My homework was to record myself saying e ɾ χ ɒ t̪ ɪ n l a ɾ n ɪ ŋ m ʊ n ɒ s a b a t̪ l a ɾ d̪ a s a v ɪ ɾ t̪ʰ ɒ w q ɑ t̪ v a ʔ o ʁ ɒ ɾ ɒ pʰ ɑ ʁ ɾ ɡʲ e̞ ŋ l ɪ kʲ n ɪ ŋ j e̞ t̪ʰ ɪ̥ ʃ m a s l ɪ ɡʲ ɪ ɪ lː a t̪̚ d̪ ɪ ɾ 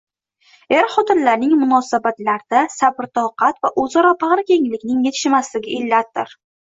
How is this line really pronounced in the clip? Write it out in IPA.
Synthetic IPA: e ɾ χ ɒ t̪ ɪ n l a ɾ n ɪ ŋ m ʊ n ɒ s a b a t̪ l a ɾ d̪ a s a b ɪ ɾ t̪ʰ ɒ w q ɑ t̪ v a ʔ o z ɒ ɾ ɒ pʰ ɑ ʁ ɾ kʲ e̞ ŋ l ɪ kʲ n ɪ ŋ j e̞ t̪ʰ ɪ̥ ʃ m a s l ɪ ɡʲ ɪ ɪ lː a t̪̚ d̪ ɪ ɾ